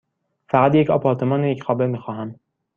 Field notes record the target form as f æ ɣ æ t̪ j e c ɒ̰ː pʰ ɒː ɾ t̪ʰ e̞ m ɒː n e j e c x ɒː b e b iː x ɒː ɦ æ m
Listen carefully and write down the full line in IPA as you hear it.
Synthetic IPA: f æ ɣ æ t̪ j e c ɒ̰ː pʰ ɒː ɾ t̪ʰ e̞ m ɒː n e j e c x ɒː b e m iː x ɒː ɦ æ m